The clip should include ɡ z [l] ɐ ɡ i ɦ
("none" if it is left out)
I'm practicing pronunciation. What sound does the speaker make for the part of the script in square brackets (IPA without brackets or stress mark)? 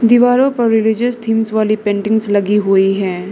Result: l